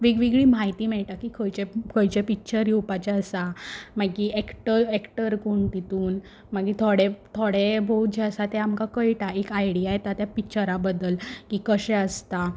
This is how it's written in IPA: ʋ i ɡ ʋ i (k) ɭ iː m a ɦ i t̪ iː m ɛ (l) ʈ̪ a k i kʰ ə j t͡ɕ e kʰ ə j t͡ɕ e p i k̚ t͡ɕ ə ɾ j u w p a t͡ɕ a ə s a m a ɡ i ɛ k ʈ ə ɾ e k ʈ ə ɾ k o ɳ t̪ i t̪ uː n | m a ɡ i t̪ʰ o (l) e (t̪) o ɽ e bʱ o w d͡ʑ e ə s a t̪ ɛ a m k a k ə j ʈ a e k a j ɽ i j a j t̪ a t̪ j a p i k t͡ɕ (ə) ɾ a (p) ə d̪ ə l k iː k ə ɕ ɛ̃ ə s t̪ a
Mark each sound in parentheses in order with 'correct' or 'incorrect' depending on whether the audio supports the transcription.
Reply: incorrect, incorrect, incorrect, incorrect, correct, incorrect

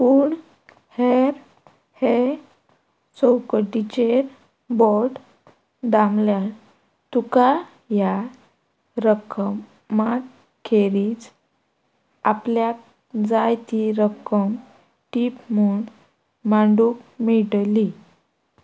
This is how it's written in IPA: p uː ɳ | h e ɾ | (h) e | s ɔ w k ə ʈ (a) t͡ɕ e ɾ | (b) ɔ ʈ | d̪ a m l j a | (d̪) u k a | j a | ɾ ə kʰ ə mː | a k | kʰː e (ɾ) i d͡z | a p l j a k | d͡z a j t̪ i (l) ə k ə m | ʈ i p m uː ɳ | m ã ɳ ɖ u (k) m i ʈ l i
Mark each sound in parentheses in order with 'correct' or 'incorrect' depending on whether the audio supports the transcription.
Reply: correct, incorrect, correct, incorrect, correct, incorrect, correct

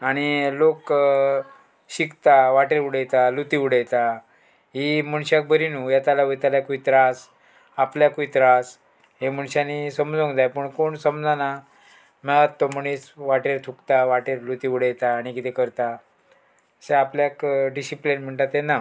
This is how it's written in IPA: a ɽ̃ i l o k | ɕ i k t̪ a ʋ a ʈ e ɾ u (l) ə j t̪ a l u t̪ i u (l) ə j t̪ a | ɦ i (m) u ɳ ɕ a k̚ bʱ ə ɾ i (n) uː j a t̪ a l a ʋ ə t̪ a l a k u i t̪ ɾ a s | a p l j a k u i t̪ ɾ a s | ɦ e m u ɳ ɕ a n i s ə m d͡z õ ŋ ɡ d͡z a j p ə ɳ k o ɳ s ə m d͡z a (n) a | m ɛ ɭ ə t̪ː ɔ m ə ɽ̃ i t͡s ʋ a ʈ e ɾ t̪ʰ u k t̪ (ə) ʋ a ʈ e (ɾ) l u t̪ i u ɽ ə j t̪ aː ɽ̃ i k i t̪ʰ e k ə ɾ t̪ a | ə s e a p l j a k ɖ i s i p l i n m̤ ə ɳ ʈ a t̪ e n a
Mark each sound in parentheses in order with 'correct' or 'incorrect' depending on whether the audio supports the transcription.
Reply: incorrect, incorrect, correct, correct, correct, incorrect, correct

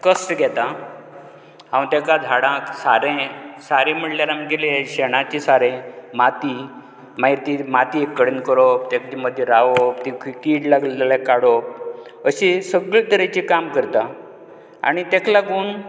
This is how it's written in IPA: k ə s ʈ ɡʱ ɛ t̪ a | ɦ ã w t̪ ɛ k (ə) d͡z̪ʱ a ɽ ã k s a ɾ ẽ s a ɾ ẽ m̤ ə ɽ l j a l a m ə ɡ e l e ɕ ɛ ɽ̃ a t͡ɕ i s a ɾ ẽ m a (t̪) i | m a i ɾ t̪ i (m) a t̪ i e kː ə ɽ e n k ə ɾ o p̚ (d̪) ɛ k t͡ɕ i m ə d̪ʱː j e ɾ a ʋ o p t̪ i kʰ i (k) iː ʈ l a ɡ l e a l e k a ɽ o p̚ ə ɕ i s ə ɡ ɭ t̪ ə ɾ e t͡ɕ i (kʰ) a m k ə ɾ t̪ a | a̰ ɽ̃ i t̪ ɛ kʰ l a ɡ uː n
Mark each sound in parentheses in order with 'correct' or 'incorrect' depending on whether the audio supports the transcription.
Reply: incorrect, correct, correct, incorrect, correct, incorrect

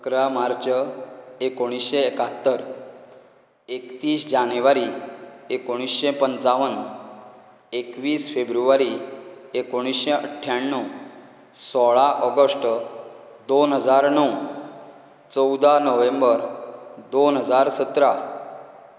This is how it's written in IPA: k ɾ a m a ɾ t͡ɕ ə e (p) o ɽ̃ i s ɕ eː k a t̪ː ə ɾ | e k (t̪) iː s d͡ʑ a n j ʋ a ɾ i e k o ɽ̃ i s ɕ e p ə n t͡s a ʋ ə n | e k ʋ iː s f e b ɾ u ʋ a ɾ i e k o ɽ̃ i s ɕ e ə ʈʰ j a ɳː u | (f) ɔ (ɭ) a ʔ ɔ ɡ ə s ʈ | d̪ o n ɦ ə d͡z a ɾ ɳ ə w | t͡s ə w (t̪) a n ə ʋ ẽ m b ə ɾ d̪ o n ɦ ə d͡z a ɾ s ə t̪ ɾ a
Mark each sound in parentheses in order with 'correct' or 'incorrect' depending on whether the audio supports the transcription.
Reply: incorrect, correct, incorrect, correct, incorrect

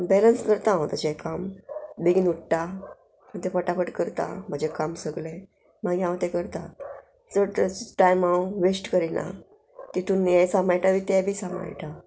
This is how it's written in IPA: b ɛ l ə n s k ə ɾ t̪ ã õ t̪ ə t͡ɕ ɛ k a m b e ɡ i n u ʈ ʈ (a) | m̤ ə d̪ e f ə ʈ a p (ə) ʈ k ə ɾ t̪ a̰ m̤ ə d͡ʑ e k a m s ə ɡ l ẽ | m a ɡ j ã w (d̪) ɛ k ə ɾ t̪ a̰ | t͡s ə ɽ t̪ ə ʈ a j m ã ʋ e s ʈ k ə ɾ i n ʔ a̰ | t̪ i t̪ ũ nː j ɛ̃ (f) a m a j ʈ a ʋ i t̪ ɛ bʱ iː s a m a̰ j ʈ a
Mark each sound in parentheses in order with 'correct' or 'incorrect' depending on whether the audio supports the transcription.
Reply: correct, correct, incorrect, incorrect

